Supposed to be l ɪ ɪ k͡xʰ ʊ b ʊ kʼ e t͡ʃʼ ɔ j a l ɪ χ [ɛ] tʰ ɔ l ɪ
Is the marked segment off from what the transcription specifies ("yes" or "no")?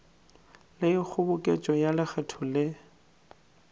no